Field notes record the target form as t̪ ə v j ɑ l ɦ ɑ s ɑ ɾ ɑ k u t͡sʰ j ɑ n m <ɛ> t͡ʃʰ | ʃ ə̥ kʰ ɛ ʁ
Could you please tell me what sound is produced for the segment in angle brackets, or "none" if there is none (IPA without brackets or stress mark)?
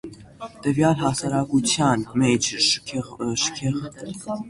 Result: ɛ